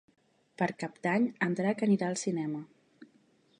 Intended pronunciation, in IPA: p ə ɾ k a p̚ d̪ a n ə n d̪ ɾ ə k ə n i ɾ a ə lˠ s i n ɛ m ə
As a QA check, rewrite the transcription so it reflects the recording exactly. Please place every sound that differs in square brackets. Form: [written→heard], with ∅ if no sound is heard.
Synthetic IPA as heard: p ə ɾ k a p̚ d̪ a [n→ɲ] ə n d̪ ɾ [ə→a] k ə n i ɾ a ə lˠ s i n ɛ m ə

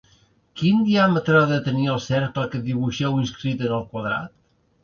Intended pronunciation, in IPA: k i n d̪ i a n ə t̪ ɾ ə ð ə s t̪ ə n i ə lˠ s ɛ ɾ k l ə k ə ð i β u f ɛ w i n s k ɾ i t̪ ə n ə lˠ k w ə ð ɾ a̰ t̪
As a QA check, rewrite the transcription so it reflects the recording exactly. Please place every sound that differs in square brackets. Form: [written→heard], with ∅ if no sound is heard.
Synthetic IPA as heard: k i n d̪ i a [n→m] ə t̪ ɾ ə ð ə [s→∅] t̪ ə n i ə lˠ s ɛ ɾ k l ə k ə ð i β u [f→ʃ] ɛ w i n s k ɾ i t̪ ə n ə lˠ k w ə ð ɾ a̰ t̪

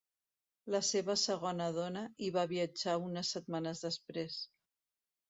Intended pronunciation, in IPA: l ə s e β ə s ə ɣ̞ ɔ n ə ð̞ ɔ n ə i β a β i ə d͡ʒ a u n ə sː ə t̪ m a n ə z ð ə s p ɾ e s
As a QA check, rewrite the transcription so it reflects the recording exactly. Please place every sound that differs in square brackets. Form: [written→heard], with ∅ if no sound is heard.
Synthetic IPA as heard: l ə s e β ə s ə ɣ̞ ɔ n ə ð̞ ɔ n ə i β a β i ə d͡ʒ a u n ə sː ə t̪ m a n ə z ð ə s p ɾ e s

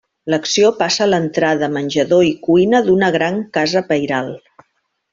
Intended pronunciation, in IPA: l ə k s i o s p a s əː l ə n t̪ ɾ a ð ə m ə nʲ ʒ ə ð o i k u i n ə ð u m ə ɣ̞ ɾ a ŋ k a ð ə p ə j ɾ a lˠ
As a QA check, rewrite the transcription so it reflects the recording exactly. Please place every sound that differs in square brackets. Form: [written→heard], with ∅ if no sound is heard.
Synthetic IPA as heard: l ə k s i o [s→∅] p a s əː l ə n t̪ ɾ a ð ə m ə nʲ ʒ ə ð o i k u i n ə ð u [m→n] ə ɣ̞ ɾ a ŋ k a [ð→z] ə p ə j ɾ a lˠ

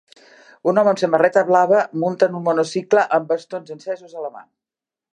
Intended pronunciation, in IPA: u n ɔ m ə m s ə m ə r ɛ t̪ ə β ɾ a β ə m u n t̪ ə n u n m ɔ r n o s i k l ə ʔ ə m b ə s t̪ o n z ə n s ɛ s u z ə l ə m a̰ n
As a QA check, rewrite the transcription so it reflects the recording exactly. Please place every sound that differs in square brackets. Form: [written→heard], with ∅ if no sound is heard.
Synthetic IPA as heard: u n ɔ m ə m s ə m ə r ɛ t̪ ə β [ɾ→l] a β ə m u n t̪ ə n u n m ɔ [r→∅] n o s i k l ə ʔ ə m b ə s t̪ o n z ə n s ɛ [s→z] u z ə l ə m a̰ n

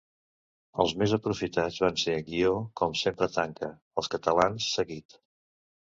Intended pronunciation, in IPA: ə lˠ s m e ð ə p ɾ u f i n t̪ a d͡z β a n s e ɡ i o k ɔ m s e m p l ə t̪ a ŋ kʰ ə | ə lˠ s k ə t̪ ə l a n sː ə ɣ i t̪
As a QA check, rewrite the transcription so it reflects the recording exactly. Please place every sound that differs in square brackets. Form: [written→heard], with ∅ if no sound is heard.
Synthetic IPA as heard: ə lˠ [s→z] m e [ð→z] ə p ɾ u f i [n→∅] t̪ a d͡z β a n s e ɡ i o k ɔ m s e m p [l→ɾ] ə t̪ a ŋ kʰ ə | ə lˠ s k ə t̪ ə l a n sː ə ɣ i t̪

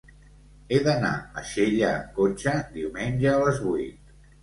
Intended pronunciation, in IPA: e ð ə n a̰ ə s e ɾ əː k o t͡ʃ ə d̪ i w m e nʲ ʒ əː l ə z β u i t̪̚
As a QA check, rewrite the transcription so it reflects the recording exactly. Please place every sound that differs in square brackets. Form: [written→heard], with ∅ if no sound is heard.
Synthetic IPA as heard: e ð ə n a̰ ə [s→ʃ] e [ɾ→ʎ] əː k o t͡ʃ ə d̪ i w m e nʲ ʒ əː l ə z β u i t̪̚

